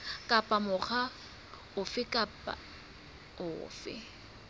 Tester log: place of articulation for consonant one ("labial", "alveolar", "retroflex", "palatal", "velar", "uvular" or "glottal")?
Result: velar